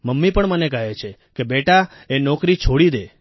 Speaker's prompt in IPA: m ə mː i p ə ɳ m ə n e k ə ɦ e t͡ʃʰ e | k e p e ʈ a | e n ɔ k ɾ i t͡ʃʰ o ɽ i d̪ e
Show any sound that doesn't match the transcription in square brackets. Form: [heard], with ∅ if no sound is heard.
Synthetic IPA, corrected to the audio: m ə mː i p ə ɳ m ə n e k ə ɦ e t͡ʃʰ e | k e [b] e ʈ a | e n ɔ k ɾ i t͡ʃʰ o ɽ i d̪ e